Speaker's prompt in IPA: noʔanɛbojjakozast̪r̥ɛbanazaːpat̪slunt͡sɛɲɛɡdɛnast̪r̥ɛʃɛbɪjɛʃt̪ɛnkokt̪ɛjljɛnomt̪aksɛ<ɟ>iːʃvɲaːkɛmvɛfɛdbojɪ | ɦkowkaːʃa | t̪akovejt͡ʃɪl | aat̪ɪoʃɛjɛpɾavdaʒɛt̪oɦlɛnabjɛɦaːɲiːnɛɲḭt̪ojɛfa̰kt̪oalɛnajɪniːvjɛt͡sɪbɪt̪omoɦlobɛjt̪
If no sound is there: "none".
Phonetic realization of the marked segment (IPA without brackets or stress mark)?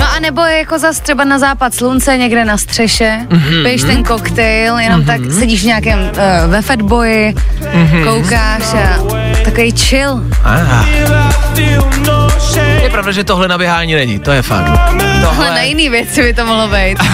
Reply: ɟ